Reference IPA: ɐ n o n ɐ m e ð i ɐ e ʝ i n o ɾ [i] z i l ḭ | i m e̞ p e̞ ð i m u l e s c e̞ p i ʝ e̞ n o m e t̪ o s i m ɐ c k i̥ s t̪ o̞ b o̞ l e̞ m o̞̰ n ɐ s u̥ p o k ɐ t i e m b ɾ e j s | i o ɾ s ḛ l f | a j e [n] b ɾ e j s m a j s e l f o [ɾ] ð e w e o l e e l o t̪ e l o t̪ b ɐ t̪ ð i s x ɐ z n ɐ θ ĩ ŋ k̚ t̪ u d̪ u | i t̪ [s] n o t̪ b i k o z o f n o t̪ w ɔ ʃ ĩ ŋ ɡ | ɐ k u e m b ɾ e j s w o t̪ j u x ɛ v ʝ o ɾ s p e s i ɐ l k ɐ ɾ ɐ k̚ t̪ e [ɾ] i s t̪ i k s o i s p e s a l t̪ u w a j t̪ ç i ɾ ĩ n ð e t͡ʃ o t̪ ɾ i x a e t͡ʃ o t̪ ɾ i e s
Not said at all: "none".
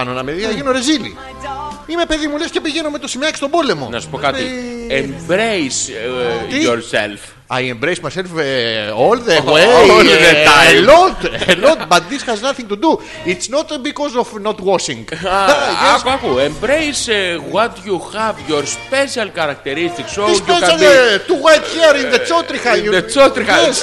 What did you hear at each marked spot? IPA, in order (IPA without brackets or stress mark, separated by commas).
e, m, l, s, ɾ